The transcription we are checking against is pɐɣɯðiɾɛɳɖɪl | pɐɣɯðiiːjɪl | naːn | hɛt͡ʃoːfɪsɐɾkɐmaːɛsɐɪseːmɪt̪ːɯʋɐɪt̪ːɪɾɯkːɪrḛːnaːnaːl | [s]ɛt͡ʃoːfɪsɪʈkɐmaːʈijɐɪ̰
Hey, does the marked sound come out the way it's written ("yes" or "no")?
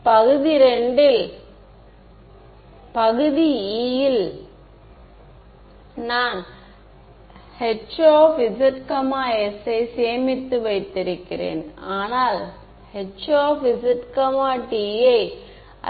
no